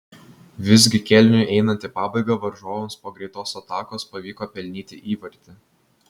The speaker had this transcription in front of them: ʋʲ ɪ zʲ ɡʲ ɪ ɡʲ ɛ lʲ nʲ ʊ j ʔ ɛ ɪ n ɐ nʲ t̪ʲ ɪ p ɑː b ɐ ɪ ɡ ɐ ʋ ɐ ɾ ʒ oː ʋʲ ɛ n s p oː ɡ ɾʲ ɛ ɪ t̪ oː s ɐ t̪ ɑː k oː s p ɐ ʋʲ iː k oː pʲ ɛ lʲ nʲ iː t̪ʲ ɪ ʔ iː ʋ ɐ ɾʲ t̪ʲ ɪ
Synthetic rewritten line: ʋʲ ɪ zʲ ɡʲ ɪ kʲ ɛ lʲ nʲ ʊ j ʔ ɛ ɪ n ɐ nʲ t̪ʲ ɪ p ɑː b ɐ ɪ ɡ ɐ ʋ ɐ ɾ ʒ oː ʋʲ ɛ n s p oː ɡ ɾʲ ɛ ɪ t̪ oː s ɐ t̪ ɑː k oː s p ɐ ʋʲ iː k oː pʲ ɛ lʲ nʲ iː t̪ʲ ɪ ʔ iː ʋ ɐ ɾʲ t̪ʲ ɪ